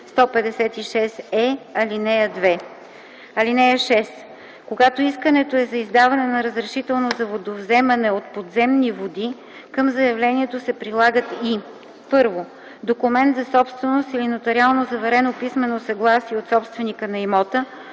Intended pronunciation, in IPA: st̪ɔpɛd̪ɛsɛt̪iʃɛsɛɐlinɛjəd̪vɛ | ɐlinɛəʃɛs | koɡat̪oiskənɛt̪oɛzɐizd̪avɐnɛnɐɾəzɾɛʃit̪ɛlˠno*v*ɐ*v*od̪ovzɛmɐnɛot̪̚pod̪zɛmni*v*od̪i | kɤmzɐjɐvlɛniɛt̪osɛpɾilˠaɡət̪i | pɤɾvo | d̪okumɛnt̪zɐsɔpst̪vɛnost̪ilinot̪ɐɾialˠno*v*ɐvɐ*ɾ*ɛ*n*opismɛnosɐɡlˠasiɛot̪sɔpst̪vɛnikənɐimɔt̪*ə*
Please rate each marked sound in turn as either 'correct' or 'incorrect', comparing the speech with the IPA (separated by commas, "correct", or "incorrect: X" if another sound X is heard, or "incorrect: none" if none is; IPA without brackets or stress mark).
incorrect: z, correct, correct, incorrect: z, correct, correct, correct